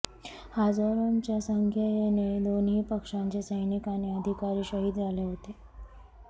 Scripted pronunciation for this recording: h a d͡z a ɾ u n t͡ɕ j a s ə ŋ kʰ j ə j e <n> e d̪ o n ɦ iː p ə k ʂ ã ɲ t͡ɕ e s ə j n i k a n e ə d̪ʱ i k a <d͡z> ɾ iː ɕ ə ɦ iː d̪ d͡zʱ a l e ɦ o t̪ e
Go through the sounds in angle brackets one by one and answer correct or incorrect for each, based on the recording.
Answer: correct, incorrect

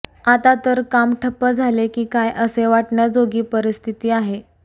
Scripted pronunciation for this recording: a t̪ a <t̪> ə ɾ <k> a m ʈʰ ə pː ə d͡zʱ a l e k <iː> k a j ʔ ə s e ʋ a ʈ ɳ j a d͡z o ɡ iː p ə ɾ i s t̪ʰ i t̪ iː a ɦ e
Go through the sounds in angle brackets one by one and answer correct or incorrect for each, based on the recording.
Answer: correct, correct, correct

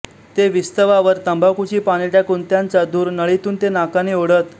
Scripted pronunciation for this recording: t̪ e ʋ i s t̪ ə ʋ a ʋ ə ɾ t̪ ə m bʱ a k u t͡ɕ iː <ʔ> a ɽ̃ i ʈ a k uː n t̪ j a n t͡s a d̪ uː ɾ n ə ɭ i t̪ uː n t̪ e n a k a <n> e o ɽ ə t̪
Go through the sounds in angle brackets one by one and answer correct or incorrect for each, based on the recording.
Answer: incorrect, correct

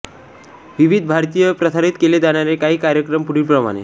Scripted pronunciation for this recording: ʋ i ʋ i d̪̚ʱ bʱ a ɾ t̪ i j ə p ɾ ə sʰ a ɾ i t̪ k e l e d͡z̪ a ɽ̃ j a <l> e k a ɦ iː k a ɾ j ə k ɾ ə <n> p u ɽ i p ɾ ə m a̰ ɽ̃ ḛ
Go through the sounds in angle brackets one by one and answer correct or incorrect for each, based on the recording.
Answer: incorrect, incorrect

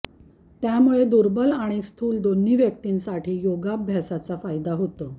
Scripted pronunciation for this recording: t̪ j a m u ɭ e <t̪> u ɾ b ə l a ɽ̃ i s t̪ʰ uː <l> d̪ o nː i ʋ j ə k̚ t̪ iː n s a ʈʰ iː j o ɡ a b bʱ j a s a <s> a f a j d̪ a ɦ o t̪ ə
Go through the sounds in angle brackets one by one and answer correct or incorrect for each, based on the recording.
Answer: incorrect, correct, incorrect

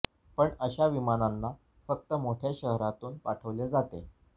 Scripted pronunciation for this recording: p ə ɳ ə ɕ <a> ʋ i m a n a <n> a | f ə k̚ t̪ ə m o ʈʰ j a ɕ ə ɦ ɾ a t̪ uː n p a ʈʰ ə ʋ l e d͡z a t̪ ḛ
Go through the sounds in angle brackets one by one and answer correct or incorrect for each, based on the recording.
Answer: correct, incorrect

